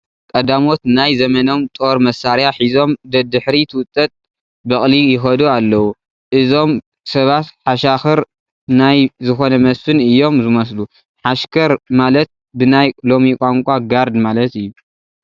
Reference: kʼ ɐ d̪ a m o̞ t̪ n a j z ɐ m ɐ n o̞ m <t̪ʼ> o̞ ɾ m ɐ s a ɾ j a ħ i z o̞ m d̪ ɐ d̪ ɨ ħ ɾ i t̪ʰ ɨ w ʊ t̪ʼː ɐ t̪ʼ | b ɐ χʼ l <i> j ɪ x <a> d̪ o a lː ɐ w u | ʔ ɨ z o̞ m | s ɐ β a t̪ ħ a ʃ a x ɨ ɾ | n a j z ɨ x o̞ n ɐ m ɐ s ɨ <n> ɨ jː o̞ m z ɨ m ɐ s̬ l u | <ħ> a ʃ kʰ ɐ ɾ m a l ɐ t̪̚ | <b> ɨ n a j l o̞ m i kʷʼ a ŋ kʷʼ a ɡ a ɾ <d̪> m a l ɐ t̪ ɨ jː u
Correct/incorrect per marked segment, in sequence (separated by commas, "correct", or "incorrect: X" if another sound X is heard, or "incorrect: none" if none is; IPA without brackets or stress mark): correct, correct, incorrect: ɐ, correct, correct, correct, correct